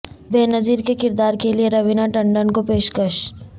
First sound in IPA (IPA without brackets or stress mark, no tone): b